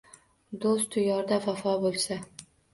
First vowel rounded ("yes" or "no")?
yes